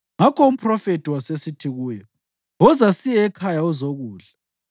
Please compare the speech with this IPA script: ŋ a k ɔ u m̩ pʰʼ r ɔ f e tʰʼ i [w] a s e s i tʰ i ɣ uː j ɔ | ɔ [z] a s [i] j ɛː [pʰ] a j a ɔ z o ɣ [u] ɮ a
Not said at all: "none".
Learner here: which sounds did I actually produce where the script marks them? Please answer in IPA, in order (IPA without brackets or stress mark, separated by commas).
w, z, i, kʰ, uː